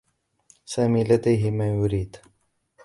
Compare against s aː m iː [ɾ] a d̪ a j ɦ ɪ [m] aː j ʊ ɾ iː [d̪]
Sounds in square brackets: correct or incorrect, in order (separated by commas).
incorrect, correct, correct